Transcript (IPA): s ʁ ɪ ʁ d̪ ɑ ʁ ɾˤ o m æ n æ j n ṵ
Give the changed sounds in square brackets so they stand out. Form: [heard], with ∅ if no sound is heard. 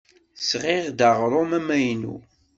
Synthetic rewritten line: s ʁ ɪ ʁ d̪ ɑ ʁ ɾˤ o m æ [m] æ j n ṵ